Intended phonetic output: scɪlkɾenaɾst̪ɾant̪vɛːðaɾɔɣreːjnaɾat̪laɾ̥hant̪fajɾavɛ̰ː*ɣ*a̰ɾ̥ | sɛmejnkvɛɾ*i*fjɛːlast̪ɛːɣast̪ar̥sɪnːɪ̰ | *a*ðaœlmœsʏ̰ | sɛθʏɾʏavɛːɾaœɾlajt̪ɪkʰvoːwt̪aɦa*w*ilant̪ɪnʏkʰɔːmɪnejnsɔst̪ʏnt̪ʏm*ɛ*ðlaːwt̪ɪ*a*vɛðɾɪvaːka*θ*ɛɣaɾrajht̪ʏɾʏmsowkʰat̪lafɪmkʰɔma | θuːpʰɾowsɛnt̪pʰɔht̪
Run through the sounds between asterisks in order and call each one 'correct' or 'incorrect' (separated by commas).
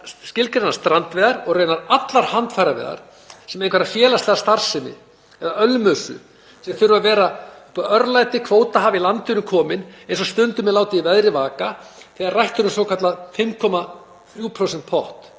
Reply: incorrect, incorrect, incorrect, incorrect, correct, incorrect, correct